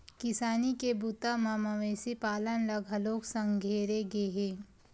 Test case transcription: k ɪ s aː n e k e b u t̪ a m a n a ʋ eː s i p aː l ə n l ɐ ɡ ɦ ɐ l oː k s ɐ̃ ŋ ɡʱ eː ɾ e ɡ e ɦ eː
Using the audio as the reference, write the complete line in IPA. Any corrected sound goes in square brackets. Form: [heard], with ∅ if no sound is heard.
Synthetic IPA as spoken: k ɪ s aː n [i] k e b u t̪ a m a [m] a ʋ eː s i p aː l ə n l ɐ ɡ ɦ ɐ l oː k s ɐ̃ ŋ ɡʱ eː ɾ e ɡ e ɦ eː